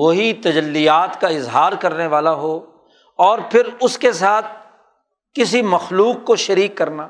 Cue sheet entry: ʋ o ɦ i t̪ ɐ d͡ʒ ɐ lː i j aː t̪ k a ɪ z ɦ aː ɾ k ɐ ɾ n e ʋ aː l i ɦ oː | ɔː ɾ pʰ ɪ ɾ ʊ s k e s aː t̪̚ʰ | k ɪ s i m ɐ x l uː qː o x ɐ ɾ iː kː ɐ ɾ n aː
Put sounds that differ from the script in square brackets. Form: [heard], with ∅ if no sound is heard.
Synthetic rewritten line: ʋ o ɦ i t̪ ɐ d͡ʒ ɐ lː i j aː t̪ k a ɪ z ɦ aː ɾ k ɐ ɾ n e ʋ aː l [a] ɦ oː | ɔː ɾ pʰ ɪ ɾ ʊ s k e s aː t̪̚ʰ | k ɪ s i m ɐ x l uː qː o [ʃ] ɐ ɾ iː kː ɐ ɾ n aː